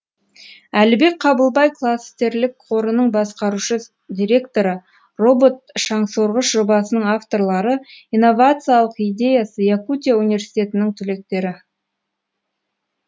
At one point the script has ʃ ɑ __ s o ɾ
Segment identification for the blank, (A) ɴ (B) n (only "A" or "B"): A